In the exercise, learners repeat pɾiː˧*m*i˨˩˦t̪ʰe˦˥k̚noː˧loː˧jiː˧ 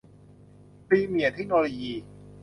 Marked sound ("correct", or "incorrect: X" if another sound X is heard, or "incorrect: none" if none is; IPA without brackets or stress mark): correct